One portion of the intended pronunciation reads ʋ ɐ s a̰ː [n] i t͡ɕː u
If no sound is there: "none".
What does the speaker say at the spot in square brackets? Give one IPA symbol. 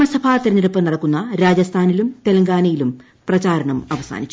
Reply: n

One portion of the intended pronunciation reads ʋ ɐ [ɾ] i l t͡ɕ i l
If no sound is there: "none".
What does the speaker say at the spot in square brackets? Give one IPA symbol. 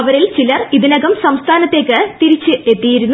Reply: ɾ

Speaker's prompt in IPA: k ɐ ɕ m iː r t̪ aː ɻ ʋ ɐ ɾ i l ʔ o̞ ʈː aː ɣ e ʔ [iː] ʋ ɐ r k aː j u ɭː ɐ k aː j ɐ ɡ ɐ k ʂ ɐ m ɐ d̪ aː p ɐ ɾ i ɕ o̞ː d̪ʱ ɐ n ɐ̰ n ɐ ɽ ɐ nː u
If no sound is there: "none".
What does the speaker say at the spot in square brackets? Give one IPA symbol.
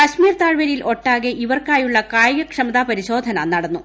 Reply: i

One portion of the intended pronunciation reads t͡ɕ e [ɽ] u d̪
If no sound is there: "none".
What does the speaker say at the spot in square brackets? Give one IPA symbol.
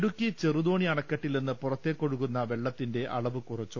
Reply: r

